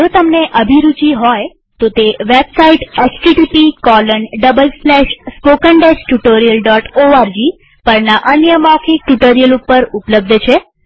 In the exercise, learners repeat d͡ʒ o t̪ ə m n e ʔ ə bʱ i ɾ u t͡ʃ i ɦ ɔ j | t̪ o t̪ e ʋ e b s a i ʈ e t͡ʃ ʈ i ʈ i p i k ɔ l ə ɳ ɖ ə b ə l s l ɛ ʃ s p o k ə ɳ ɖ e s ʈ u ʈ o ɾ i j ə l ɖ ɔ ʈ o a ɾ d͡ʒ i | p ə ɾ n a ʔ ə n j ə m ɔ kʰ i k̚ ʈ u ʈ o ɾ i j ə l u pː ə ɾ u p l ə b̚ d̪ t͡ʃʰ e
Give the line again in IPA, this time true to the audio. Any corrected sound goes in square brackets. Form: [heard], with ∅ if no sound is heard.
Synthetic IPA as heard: d͡ʒ o t̪ ə m n e ʔ ə bʱ i ɾ u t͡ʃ i ɦ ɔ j | t̪ o t̪ e ʋ e b s a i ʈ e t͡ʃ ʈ i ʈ i p i k ɔ l ə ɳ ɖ ə b ə l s l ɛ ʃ s p o k ə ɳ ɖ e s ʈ u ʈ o ɾ i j ə l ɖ ɔ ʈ o a ɾ d͡ʒ i | p ə ɾ n a ʔ ə n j ə m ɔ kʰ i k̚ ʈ u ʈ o ɾ i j ə l u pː ə ɾ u p l ə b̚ d̪ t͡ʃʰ e

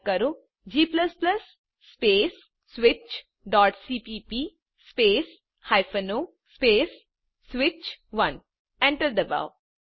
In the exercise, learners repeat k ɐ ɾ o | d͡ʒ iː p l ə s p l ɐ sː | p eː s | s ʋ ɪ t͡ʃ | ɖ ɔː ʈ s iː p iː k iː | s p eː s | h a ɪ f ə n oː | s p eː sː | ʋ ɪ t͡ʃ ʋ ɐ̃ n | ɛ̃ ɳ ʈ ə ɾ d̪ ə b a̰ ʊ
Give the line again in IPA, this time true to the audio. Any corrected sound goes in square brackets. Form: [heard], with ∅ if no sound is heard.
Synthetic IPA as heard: k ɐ ɾ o | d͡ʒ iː p l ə s p l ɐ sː | p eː s | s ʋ ɪ t͡ʃ | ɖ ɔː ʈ s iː p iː [p] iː | s p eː s | h a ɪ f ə n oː | s p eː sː | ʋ ɪ t͡ʃ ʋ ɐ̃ n | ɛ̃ ɳ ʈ ə ɾ d̪ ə b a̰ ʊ

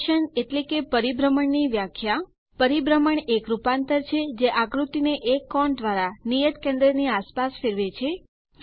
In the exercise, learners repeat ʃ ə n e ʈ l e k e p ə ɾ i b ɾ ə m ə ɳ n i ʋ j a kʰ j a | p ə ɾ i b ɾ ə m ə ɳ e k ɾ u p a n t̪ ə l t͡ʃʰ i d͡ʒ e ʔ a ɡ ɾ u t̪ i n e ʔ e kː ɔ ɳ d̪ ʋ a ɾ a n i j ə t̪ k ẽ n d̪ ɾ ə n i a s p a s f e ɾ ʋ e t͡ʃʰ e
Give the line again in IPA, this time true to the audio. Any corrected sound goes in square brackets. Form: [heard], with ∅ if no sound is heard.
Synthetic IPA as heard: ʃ ə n e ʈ l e k e p ə ɾ i b ɾ ə m ə ɳ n i ʋ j a kʰ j a | p ə ɾ i b ɾ ə m ə ɳ e k ɾ u p a n t̪ ə [ɾ] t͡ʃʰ [e] d͡ʒ e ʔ a ɡ ɾ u t̪ i n e ʔ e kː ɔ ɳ d̪ ʋ a ɾ a n i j ə t̪ k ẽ n d̪ ɾ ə n i a s p a s f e ɾ ʋ e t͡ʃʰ e

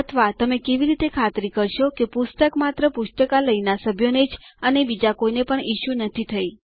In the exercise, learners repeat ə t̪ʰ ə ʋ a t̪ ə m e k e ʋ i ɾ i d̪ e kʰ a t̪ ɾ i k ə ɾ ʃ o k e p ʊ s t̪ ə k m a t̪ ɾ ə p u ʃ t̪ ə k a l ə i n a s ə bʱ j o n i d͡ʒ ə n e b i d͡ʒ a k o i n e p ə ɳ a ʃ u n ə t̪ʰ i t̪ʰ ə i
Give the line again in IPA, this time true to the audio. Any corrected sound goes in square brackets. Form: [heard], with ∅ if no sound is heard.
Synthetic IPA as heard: ə t̪ʰ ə ʋ a t̪ ə m e k e ʋ i ɾ i [t̪] e kʰ a t̪ ɾ i k ə ɾ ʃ o k e p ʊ s t̪ ə k m a t̪ ɾ ə p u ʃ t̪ ə k a l ə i n a s ə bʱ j o n [e] d͡ʒ ə n e b i d͡ʒ a k o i n e p ə ɳ [i] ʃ u n ə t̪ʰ i t̪ʰ ə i

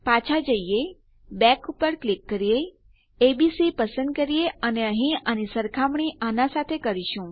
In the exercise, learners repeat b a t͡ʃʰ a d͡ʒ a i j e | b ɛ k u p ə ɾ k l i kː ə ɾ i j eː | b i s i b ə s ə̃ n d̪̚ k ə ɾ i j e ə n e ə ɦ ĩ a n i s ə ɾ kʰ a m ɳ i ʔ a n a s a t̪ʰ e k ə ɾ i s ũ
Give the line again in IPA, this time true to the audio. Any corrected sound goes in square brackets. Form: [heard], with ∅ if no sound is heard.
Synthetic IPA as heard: [p] a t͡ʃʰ a d͡ʒ [ə] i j e | b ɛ k u p ə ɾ k l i kː ə ɾ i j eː | b i s i [p] ə s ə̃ n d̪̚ k ə ɾ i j e ə n e ə ɦ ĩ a n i s ə ɾ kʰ a m ɳ i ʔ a n a s a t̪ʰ e k ə ɾ i [ʃ] ũ

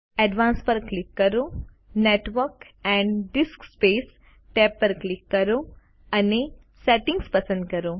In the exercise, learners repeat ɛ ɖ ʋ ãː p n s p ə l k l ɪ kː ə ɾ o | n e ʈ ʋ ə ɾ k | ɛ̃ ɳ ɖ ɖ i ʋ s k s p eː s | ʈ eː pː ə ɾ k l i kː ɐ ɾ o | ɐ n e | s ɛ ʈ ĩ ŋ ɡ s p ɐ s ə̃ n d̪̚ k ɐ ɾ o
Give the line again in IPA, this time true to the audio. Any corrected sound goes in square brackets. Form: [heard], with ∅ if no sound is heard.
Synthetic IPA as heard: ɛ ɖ ʋ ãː [∅] n s p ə [ɾ] k l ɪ kː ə ɾ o | n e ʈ ʋ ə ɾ k | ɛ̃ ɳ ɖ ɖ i [∅] s k s p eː s | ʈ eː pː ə ɾ k l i kː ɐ ɾ o | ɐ n e | s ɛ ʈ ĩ ŋ ɡ s p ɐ s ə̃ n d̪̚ k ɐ ɾ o

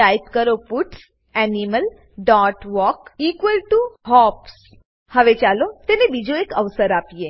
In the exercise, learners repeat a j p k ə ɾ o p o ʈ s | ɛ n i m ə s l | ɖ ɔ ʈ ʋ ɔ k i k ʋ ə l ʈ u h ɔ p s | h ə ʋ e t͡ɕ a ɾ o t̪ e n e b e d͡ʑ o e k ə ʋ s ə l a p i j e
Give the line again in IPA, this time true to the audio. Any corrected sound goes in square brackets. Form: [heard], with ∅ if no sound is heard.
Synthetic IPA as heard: a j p k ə ɾ o p [u] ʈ s | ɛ n i m ə [∅] l | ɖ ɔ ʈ ʋ ɔ k i k ʋ ə l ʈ u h ɔ p s | h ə ʋ e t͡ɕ a [l] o t̪ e n e b [i] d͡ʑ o e k ə ʋ s ə [ɾ] a p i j e

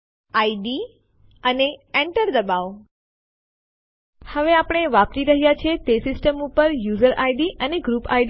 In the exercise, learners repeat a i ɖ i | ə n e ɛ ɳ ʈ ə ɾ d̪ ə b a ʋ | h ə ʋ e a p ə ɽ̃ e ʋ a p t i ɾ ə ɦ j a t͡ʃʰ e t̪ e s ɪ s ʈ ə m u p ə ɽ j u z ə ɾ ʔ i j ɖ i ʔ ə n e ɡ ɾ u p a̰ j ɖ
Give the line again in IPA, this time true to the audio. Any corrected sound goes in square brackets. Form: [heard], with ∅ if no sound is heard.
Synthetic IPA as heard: a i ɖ i | ə n e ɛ ɳ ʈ ə ɾ d̪ ə b a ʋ | h ə ʋ e a p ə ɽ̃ e ʋ a p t i ɾ ə ɦ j a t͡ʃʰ e t̪ e s ɪ s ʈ ə m u p ə [ɾ] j u z ə ɾ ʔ [a] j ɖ i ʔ ə n e ɡ ɾ u p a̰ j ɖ

